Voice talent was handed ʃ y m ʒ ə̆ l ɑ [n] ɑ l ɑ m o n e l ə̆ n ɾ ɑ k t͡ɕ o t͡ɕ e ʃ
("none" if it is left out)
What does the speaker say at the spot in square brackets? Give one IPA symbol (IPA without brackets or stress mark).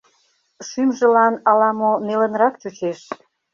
n